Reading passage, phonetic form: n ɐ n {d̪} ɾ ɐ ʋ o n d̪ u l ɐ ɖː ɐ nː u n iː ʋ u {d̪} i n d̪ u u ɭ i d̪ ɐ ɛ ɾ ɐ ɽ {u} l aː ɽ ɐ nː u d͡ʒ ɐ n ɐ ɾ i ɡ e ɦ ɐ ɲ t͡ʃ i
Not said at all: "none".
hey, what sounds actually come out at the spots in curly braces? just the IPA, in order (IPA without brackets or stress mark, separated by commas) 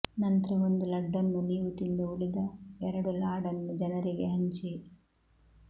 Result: t̪, t̪, u